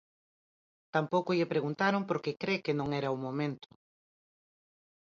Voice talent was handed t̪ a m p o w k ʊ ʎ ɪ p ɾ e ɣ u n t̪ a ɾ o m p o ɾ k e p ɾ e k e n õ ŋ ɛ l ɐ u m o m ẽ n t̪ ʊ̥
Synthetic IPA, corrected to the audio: t̪ a m p o w k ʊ ʎ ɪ p ɾ e ɣ u n t̪ a ɾ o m p o ɾ k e k ɾ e k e n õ ŋ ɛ ɾ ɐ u m o m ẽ n t̪ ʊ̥